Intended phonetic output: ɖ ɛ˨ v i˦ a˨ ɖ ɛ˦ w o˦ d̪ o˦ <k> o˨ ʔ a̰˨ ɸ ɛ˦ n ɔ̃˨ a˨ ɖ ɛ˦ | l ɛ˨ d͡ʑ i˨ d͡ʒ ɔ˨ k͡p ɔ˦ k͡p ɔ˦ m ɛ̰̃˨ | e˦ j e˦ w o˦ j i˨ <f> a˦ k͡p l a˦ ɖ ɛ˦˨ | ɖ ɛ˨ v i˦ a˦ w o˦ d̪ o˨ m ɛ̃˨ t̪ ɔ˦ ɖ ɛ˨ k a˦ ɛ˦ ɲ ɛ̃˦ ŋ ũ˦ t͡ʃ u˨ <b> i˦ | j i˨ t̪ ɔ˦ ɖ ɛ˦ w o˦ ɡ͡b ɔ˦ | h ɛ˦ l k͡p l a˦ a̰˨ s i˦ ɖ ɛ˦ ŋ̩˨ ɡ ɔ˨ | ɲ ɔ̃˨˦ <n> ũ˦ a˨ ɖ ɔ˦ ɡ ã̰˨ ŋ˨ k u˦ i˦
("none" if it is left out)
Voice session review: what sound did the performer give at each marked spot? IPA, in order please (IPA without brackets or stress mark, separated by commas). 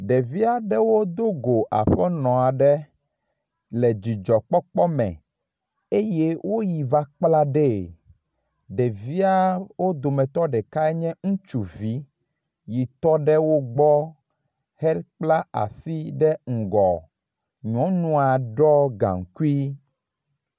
ɡ, v, v, n